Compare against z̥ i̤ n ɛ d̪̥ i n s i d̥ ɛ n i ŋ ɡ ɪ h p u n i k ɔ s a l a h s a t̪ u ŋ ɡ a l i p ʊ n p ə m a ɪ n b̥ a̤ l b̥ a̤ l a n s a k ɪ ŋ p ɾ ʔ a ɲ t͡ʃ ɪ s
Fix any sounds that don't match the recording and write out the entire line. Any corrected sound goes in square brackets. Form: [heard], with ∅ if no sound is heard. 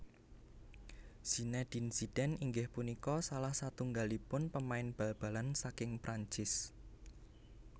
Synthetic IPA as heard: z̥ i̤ n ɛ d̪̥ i n s i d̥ ɛ n i ŋ ɡ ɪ h p u n i k ɔ s a l a h s a t̪ u ŋ ɡ a l i p ʊ n p ə m a ɪ n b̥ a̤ l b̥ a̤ l a n s a k ɪ ŋ p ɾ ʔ a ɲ t͡ʃ ɪ s